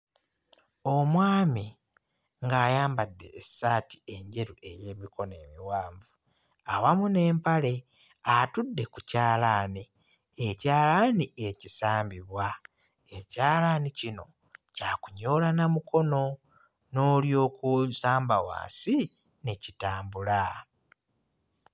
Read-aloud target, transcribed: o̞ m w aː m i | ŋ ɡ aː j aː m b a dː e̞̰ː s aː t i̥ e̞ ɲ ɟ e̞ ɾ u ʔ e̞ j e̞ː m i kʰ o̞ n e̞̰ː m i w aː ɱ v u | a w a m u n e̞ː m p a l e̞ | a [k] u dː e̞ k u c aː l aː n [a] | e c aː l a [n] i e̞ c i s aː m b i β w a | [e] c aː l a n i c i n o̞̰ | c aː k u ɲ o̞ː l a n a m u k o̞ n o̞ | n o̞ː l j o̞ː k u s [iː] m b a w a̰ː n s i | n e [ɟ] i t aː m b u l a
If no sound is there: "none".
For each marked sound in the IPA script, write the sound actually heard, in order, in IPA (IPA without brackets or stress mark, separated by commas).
t, i, n, e, aː, c